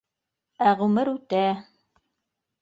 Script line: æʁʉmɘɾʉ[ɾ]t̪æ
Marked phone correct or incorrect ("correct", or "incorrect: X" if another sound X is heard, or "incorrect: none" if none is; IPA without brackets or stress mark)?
incorrect: none